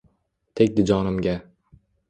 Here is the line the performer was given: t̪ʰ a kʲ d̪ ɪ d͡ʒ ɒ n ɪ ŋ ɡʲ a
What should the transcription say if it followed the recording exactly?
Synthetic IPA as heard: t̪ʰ e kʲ d̪ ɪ d͡ʒ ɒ n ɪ m ɡʲ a